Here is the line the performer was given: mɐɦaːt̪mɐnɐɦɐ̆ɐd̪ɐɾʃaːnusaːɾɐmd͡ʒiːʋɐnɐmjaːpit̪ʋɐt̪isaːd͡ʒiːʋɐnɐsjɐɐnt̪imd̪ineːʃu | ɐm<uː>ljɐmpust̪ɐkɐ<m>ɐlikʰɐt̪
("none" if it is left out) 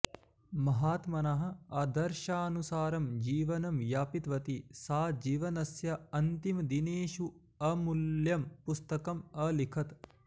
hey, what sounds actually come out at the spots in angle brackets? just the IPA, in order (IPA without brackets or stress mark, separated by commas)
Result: u, m